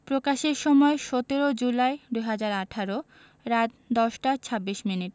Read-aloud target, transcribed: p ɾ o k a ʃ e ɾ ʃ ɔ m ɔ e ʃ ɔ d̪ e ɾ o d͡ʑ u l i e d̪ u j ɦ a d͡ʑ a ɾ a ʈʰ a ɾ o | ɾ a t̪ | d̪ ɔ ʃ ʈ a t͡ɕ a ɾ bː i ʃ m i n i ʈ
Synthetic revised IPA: p ɾ o k a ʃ e ɾ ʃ ɔ m ɔ e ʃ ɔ t̪ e ɾ o d͡ʑ u l a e d̪ u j ɦ a d͡ʑ a ɾ a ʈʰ a ɾ o | ɾ a t̪ | d̪ ɔ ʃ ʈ a t͡ɕʰ a bː i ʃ m i n i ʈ